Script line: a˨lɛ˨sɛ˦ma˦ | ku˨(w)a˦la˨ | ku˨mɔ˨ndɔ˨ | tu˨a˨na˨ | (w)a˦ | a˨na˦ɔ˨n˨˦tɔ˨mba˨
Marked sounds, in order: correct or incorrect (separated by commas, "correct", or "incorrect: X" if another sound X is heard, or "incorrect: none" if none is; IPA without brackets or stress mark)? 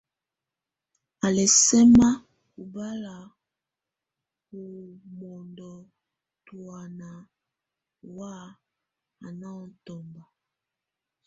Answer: incorrect: b, correct